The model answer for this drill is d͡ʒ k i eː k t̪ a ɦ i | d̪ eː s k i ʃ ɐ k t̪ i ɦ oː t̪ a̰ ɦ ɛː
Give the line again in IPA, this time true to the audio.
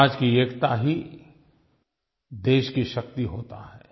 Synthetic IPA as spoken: d͡ʒ k i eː k t̪ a ɦ i | d̪ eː ʃ k i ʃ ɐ k t̪ i ɦ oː t̪ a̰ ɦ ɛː